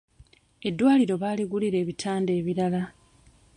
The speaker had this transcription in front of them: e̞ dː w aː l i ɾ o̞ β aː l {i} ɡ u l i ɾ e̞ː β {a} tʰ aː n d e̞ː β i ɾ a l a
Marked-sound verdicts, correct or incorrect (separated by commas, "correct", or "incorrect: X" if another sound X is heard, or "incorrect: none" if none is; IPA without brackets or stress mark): correct, incorrect: i